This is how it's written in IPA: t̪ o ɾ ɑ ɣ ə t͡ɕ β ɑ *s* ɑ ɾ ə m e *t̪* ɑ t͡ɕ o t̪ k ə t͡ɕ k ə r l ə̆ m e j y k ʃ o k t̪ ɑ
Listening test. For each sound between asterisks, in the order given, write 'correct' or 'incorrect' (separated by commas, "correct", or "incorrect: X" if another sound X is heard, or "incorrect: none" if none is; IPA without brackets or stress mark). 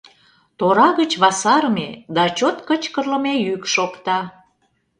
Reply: correct, incorrect: d̪